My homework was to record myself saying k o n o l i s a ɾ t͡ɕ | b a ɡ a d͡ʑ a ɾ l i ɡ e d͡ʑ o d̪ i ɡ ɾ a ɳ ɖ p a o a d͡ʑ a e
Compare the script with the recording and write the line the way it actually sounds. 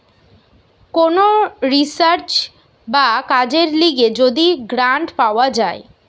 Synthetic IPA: k o n o ɾ i s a ɾ t͡ɕ | b a k a d͡ʑ e ɾ l i ɡ e d͡ʑ o d̪ i ɡ ɾ a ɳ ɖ p a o a d͡ʑ a e